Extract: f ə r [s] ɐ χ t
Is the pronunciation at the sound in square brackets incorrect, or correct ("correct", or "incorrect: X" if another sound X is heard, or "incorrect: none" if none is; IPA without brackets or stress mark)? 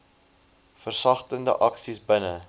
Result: correct